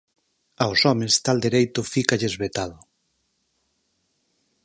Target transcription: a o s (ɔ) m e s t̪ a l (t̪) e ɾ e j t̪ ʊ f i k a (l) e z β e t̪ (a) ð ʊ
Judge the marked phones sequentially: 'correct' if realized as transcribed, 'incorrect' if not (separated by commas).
correct, incorrect, incorrect, correct